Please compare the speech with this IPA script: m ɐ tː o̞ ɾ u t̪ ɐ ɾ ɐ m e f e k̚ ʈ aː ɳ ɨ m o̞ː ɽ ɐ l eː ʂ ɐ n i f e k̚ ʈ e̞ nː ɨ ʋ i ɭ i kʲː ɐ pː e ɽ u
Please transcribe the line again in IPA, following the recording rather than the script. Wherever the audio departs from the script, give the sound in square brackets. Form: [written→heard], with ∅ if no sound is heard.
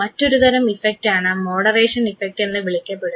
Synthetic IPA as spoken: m ɐ tː o̞ ɾ u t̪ ɐ ɾ ɐ m [e→i] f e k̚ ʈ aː ɳ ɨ m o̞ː ɽ ɐ [l→r] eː ʂ ɐ n i f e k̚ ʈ e̞ nː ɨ ʋ i ɭ i kʲː ɐ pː e ɽ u